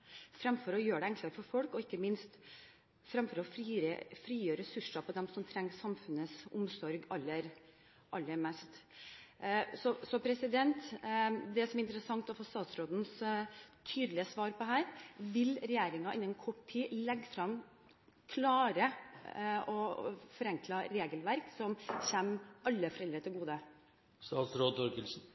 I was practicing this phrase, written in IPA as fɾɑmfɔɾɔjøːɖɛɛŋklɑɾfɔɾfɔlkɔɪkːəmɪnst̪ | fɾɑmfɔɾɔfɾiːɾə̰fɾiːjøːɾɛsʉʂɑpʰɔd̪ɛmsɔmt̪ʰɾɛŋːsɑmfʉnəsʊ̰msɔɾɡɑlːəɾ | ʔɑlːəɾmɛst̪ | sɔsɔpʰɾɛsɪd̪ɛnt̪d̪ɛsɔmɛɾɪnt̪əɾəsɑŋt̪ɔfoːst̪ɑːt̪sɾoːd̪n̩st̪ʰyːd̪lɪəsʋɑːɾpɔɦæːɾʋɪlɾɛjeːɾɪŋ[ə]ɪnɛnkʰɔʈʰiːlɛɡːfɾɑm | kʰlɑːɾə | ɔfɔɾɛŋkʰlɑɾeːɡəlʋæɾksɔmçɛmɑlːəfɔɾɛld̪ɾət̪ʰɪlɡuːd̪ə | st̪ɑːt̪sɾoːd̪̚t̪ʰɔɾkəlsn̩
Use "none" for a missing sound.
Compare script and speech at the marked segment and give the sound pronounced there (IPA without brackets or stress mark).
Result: ɑ